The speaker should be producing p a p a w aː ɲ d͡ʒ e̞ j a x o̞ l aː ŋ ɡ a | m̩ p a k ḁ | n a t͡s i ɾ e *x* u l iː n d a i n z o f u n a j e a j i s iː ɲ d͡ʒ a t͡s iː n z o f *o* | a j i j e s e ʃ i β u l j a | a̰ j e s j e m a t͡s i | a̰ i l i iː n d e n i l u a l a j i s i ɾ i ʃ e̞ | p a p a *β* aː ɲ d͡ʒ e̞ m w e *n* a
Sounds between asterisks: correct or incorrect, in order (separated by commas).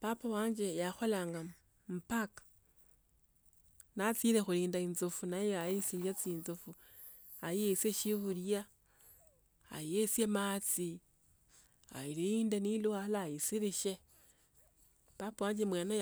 correct, incorrect, incorrect, correct